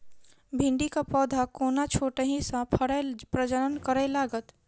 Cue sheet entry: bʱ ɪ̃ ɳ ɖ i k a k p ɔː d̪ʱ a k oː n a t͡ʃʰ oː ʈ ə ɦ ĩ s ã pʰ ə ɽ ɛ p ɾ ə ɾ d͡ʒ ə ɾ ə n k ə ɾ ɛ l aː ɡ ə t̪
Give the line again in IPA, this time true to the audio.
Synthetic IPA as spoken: bʱ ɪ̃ ɳ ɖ i k a p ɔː d̪ʱ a k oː n a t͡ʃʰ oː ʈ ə ɦ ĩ s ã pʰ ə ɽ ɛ p ɾ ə d͡ʒ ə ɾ ə n k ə ɾ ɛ l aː ɡ ə t̪

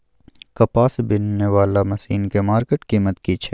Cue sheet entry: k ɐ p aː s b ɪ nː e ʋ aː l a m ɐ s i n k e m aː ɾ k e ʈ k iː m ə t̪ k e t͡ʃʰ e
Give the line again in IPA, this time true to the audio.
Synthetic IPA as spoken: k ɐ p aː s b ɪ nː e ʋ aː l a m ɐ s iː n k e m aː ɾ k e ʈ k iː m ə t̪ k i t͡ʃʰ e

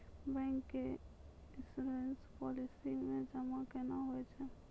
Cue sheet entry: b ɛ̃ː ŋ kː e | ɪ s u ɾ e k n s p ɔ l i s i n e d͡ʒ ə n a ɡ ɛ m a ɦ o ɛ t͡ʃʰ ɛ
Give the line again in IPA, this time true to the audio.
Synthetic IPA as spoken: b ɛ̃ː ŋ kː e | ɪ s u ɾ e n s p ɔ l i s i m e d͡ʒ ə m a k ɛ n a ɦ o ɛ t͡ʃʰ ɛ

